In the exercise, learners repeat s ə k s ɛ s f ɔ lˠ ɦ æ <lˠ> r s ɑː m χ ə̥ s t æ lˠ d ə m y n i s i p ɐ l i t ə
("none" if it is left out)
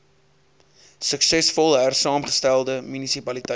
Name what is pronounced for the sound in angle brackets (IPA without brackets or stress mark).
none